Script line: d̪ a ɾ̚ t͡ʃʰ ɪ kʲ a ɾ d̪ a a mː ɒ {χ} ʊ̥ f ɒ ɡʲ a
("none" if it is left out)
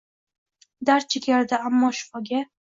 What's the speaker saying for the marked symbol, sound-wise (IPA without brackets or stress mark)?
ʃ